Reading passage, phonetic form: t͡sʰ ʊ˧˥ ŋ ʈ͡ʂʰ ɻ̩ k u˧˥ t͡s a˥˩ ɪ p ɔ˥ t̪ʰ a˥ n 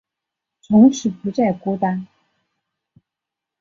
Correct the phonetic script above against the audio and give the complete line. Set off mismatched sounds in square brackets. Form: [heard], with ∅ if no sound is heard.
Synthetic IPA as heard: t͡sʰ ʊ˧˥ ŋ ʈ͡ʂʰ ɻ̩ [p] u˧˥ t͡s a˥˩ ɪ [k] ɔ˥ [t̪] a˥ n